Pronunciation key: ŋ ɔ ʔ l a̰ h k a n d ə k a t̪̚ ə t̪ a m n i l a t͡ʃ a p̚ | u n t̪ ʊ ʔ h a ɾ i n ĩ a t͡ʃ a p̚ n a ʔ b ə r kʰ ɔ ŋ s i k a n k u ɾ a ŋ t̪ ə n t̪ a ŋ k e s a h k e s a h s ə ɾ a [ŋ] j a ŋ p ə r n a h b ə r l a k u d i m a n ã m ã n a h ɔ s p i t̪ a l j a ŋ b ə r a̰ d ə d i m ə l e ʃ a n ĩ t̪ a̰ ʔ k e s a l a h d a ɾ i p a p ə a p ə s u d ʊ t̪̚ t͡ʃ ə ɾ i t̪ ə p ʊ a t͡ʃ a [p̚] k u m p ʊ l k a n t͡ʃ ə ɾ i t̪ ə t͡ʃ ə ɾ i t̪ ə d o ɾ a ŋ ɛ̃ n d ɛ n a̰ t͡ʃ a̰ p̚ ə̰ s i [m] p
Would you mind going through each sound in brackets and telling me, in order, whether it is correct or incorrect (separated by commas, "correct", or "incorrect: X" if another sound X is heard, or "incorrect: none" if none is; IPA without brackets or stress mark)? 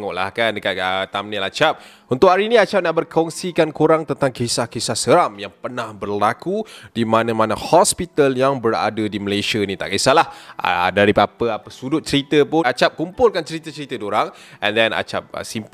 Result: incorrect: m, correct, correct